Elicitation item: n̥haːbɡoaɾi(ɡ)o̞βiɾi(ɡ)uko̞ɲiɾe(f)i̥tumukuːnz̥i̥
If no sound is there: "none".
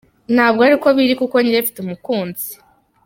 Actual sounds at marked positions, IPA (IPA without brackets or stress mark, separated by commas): k, k, f